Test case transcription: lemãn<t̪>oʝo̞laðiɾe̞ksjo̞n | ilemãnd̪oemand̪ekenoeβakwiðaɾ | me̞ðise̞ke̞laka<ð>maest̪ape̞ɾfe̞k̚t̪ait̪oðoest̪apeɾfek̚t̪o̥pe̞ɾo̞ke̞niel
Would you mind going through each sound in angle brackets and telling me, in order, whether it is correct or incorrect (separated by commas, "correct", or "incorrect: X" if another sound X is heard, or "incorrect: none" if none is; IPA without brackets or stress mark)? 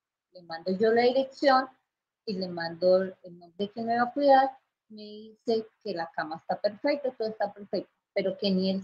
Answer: incorrect: d̪, incorrect: none